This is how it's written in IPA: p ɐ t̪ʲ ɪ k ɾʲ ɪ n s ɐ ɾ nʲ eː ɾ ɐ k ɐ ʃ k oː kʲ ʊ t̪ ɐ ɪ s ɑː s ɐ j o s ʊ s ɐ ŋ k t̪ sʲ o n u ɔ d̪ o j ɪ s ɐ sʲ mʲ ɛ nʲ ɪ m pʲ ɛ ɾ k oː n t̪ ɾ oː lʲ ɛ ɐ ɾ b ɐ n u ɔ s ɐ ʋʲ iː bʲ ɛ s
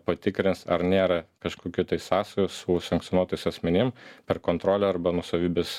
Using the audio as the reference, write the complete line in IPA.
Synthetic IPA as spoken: p ɐ t̪ʲ ɪ k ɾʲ ɪ n s ɐ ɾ nʲ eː ɾ ɐ k ɐ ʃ k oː kʲ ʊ t̪ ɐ ɪ s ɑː s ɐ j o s ʊ s ɐ ŋ k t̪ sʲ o n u ɔ t̪ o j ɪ s ɐ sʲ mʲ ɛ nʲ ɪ m pʲ ɛ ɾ k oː n t̪ ɾ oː lʲ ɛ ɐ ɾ b ɐ n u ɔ s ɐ ʋʲ iː bʲ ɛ s